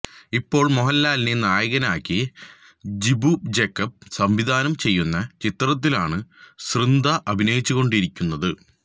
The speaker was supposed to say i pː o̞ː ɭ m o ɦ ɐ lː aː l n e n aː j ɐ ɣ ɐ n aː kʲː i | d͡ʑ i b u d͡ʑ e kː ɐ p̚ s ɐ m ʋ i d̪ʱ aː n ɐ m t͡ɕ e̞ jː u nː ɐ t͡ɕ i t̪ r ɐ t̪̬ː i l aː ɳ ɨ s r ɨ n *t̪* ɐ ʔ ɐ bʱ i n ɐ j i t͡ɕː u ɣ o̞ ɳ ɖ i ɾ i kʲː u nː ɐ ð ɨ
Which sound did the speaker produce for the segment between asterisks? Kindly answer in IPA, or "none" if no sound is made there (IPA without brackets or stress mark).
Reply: d̪